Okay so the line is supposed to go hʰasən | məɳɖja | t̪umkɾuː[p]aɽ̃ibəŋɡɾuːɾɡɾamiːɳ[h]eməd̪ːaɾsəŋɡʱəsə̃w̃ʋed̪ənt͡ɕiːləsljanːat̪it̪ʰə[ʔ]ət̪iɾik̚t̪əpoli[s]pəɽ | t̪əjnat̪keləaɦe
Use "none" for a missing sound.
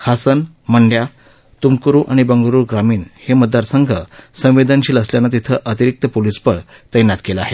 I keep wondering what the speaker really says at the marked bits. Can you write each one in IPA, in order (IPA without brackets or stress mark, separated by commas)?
ʔ, h, ʔ, s